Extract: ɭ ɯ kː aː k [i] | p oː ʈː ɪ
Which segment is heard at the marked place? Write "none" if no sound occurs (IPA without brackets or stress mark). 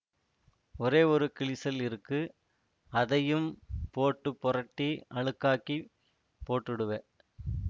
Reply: i